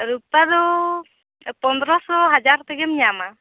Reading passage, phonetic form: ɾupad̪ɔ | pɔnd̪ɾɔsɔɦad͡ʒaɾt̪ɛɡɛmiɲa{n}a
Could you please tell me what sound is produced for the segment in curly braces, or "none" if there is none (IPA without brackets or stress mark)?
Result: m